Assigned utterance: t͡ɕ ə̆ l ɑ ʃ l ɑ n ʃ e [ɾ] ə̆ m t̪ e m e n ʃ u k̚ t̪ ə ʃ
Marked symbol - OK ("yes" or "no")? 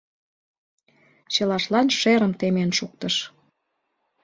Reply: yes